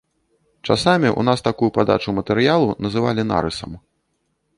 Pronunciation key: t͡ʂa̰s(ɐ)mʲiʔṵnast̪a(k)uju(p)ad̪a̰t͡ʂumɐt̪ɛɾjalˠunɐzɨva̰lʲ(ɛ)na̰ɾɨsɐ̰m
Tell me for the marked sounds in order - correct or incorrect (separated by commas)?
incorrect, correct, correct, incorrect